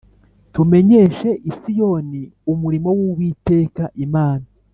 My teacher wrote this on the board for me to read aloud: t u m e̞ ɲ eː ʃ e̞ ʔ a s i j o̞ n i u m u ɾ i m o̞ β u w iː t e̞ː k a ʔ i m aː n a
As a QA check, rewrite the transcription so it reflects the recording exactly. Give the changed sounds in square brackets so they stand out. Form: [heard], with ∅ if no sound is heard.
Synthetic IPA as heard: t u m e̞ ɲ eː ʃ e̞ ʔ [i] s i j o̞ n i u m u ɾ i m o̞ [w] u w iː t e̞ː k a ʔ i m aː n a